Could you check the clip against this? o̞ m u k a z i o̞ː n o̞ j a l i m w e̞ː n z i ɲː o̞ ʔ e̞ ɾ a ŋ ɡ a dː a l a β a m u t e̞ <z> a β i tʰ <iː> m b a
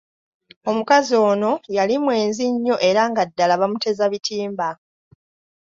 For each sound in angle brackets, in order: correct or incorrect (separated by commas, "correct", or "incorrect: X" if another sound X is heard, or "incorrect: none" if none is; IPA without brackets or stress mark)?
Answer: correct, correct